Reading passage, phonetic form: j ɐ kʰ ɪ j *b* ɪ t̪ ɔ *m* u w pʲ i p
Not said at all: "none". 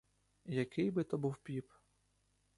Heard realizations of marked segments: b, b

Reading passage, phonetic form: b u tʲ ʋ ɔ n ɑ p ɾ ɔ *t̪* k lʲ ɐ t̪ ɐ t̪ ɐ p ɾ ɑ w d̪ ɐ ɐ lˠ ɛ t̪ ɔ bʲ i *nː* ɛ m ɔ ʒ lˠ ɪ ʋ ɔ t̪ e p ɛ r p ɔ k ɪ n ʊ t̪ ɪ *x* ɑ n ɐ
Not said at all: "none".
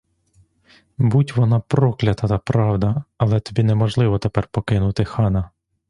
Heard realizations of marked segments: none, n, x

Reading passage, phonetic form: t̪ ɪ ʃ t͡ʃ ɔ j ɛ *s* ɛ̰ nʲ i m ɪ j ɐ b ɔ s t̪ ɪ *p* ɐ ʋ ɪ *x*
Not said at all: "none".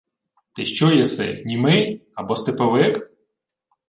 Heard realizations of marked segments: s, p, k

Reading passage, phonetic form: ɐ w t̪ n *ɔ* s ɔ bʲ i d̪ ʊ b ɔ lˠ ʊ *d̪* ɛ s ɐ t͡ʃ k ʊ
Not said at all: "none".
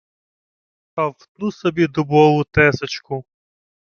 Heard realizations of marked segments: u, t̪

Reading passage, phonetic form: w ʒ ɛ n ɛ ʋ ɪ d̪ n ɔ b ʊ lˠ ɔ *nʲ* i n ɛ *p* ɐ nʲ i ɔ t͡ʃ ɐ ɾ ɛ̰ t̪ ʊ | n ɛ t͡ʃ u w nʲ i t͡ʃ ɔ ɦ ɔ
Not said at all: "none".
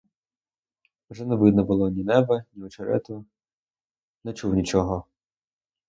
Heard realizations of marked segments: nʲ, b

